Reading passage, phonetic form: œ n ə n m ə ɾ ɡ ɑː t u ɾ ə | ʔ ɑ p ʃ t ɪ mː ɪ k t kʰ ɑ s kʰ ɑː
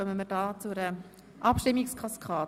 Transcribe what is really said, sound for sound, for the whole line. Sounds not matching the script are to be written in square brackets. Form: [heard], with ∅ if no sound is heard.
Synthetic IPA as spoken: œ [m] ə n m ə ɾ [d] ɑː [t͡s] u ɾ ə | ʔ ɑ p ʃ t ɪ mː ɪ k [s] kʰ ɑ s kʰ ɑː